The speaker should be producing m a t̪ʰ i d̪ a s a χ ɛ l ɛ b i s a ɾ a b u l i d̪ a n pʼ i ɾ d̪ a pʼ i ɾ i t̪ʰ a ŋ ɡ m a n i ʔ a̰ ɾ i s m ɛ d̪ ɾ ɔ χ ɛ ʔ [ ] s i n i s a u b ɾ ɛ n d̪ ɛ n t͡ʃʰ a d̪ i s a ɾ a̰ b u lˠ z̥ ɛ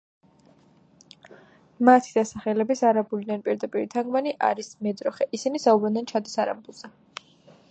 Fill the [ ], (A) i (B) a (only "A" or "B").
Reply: A